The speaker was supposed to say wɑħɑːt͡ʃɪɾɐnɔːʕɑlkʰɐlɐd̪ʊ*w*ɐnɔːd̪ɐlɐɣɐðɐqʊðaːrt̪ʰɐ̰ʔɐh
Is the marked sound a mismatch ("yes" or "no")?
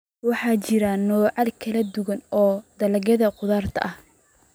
yes